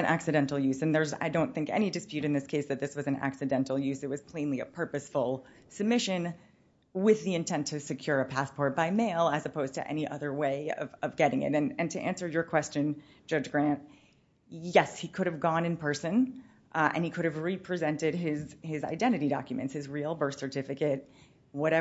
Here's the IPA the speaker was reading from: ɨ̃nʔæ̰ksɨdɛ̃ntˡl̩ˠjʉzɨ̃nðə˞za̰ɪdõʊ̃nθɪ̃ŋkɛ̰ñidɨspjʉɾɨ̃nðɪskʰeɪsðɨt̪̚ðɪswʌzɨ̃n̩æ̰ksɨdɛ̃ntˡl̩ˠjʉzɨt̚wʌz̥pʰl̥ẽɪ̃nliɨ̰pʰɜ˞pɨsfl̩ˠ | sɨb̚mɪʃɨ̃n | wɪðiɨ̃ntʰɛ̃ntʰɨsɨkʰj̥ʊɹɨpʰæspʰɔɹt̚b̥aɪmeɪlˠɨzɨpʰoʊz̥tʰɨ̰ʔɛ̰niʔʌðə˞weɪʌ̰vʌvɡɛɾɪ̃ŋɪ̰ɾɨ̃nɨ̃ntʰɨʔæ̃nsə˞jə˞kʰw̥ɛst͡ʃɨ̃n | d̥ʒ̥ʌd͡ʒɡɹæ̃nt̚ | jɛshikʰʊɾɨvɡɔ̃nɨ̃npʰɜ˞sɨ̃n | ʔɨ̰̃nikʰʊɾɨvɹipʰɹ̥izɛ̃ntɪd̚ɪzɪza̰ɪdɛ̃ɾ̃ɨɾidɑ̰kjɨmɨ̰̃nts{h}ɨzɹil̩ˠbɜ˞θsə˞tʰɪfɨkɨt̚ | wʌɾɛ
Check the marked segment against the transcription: correct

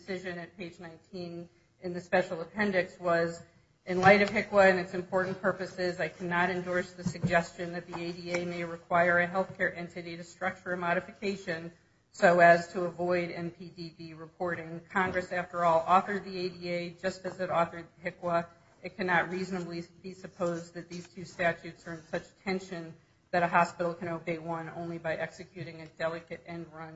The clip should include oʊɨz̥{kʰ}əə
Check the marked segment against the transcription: incorrect: tʰ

